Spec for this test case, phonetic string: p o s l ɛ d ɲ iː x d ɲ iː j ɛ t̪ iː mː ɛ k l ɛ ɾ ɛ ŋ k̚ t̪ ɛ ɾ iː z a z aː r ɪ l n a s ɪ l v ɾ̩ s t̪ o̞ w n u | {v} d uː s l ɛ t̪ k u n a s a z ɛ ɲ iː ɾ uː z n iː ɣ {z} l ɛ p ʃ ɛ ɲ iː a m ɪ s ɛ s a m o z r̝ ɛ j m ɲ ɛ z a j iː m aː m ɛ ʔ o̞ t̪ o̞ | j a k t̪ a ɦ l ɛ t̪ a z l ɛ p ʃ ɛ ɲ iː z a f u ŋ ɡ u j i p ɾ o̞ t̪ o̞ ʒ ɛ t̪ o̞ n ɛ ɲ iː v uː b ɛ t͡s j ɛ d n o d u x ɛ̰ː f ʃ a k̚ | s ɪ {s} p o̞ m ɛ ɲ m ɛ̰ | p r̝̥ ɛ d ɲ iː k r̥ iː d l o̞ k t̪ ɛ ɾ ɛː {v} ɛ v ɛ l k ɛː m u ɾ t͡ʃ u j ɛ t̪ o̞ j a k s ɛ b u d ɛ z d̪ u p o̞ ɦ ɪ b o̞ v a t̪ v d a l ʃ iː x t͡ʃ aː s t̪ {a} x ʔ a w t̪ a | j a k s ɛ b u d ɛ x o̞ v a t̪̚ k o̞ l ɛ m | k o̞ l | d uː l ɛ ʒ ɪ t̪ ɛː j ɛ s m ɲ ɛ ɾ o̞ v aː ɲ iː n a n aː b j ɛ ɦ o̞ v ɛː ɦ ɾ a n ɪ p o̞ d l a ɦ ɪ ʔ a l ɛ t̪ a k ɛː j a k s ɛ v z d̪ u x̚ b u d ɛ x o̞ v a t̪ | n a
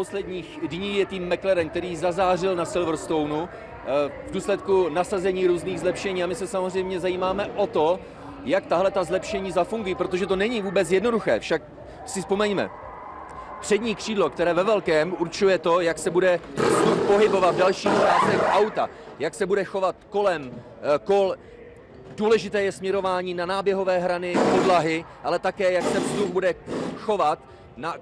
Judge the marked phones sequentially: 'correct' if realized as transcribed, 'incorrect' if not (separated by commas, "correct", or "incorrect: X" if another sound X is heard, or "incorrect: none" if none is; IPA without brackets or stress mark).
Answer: correct, correct, correct, correct, incorrect: ɛ